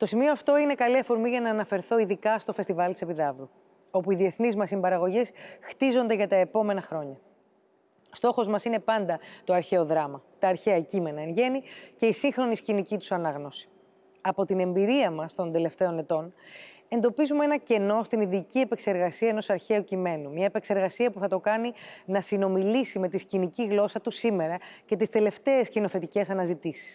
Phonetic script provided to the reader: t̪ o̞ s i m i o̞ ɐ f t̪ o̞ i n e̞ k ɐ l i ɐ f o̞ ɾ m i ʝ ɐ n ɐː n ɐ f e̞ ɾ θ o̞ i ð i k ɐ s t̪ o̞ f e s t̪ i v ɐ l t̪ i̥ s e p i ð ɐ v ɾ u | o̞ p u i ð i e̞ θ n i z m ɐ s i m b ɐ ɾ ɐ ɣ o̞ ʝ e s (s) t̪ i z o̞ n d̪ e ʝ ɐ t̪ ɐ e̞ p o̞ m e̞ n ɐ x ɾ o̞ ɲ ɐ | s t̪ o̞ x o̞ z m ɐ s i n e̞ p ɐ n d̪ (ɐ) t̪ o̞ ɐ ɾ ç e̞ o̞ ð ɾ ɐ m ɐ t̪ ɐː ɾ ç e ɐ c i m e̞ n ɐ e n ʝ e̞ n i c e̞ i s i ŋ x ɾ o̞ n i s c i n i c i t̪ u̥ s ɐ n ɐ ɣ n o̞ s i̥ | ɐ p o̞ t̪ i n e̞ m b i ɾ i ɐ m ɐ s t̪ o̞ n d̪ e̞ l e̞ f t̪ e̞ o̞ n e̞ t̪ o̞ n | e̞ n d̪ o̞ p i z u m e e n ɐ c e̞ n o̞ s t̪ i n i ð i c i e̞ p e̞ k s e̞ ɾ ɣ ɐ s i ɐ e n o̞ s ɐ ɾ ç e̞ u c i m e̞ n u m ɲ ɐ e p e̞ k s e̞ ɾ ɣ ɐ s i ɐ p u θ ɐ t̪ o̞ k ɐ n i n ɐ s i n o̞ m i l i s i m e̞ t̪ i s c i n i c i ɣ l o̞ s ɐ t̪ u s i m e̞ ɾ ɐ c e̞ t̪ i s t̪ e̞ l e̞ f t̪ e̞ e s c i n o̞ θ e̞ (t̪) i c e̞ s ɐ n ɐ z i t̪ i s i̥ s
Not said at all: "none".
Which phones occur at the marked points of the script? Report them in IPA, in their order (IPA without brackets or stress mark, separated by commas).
x, ɐ, t̪